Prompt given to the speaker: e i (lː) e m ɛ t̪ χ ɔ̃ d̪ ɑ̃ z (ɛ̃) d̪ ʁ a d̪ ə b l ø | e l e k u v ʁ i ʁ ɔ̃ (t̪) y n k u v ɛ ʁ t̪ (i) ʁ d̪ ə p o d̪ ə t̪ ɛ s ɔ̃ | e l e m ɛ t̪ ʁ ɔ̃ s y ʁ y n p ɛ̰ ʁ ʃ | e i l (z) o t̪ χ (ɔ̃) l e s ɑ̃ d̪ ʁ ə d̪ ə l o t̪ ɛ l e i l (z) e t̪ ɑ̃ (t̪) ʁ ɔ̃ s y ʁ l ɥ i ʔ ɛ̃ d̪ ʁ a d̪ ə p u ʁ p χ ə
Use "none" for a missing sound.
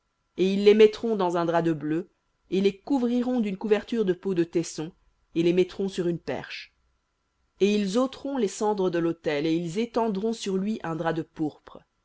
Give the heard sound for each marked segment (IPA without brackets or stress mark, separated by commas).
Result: lː, ɛ̃, d̪, y, z, ɔ̃, z, d̪